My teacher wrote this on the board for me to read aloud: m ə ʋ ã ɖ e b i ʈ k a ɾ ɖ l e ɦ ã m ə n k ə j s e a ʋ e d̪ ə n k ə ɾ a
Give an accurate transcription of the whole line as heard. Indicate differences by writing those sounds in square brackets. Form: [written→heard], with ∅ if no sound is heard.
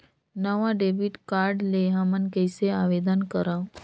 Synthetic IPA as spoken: [m→n] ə ʋ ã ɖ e b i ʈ k a ɾ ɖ l e ɦ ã m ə n k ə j s e a ʋ e d̪ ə n k ə ɾ a

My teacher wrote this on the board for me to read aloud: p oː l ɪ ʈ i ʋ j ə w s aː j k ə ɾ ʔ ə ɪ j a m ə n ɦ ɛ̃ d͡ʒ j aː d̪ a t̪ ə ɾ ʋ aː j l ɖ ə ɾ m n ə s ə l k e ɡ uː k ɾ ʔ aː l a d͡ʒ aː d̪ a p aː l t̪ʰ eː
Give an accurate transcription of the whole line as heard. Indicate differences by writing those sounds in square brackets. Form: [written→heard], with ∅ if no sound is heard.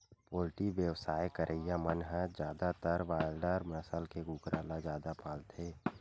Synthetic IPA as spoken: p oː l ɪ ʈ i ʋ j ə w s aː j k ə ɾ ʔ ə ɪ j a m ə n ɦ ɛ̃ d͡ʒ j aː d̪ a t̪ ə ɾ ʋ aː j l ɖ ə ɾ m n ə s ə l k e ɡ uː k ɾ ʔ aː l a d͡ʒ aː d̪ a p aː l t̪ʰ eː

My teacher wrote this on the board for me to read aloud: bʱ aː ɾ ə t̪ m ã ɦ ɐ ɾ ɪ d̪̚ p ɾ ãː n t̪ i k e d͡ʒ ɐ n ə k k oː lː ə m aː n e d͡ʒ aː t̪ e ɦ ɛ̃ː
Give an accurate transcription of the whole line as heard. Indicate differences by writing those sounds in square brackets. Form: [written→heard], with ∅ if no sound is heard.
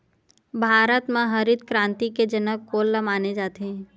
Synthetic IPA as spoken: bʱ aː ɾ ə t̪ m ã ɦ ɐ ɾ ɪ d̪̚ [p→k] ɾ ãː n t̪ i k e d͡ʒ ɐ n ə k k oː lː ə m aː n e d͡ʒ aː t̪ e ɦ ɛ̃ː

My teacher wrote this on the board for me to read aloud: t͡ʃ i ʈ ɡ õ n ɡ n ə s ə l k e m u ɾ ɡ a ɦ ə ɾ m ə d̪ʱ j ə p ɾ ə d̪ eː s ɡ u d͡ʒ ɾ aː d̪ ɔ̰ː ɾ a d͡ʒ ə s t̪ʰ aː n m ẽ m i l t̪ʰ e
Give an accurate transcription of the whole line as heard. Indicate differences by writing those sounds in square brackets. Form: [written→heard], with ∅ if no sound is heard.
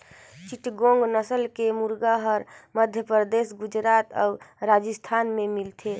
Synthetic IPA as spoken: t͡ʃ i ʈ ɡ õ [n→ŋ] ɡ n ə s ə l k e m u ɾ ɡ a ɦ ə ɾ m ə d̪ʱ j ə p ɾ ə d̪ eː s ɡ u d͡ʒ ɾ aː [d̪→t̪] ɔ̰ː ɾ a d͡ʒ ə s t̪ʰ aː n m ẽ m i l t̪ʰ e

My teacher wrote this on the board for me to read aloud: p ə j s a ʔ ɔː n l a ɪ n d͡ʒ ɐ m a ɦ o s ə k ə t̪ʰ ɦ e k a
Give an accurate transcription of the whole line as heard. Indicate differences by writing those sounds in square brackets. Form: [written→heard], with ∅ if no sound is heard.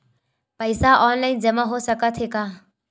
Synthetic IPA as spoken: p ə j s a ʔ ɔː n l a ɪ n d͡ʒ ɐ m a ɦ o s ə k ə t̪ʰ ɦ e k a

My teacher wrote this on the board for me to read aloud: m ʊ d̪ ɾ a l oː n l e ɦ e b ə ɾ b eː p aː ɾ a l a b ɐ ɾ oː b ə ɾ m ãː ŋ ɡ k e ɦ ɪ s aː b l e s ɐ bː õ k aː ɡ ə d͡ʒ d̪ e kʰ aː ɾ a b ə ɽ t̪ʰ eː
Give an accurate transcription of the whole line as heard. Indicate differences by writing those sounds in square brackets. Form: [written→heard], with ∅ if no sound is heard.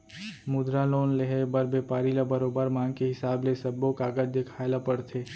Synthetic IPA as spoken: m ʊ d̪ ɾ a l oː n l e ɦ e b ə ɾ b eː p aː ɾ [a→i] l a b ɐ ɾ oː b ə ɾ m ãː ŋ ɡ k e ɦ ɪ s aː b l e s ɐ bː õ k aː ɡ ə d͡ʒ d̪ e kʰ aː [ɾ→l] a [b→p] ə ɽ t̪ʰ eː

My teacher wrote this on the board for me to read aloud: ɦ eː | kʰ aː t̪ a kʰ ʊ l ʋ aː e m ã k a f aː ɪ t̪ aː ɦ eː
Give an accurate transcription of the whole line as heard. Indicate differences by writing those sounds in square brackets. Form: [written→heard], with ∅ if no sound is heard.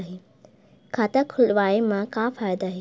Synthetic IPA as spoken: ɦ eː | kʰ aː t̪ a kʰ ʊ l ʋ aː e m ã k a f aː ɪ [t̪→d̪] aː ɦ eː

